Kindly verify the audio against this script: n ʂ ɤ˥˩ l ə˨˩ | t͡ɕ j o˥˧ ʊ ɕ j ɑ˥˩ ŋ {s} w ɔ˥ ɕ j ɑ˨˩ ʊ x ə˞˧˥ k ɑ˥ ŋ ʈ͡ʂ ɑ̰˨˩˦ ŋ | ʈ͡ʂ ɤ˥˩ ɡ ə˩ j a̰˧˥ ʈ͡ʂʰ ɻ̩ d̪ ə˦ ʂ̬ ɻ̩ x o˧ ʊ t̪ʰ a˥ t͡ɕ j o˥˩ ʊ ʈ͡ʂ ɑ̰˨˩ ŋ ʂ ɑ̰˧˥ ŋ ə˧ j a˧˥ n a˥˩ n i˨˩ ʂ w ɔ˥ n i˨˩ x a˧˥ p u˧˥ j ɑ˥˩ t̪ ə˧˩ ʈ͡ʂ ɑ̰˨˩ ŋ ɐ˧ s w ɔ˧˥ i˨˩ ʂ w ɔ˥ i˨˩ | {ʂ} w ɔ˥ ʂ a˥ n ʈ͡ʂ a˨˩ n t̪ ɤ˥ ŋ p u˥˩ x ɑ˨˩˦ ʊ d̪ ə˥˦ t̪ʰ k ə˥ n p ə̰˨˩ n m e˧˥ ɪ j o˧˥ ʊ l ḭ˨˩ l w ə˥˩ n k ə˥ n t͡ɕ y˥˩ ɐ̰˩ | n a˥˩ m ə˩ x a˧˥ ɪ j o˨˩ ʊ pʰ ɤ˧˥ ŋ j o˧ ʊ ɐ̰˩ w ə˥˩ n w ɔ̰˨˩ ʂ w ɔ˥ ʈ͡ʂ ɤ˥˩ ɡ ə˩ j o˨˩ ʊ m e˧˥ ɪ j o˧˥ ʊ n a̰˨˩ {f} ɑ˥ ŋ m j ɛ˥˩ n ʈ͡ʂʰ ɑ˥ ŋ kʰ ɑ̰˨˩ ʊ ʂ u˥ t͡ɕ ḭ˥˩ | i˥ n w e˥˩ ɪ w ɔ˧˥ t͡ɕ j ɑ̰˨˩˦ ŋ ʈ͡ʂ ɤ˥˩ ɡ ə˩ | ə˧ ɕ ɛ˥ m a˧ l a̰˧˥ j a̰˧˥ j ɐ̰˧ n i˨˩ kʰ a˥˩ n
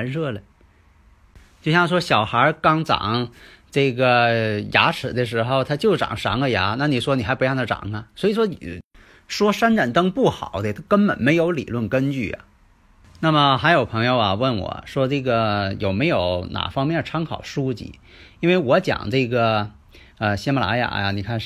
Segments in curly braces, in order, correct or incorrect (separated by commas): incorrect, correct, correct